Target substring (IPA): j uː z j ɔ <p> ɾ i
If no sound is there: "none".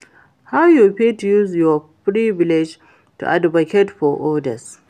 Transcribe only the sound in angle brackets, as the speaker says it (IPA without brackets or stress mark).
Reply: p